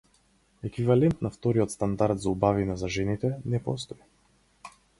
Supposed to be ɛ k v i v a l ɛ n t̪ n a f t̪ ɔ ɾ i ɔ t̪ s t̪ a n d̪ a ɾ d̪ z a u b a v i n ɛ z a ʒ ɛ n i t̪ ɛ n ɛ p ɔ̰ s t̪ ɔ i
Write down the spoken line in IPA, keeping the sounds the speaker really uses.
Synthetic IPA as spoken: ɛ k v i v a l ɛ n t̪ n a f t̪ ɔ ɾ i ɔ t̪ s t̪ a n d̪ a ɾ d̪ z a u b a v i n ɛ z a ʒ ɛ n i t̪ ɛ n ɛ p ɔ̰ s t̪ ɔ i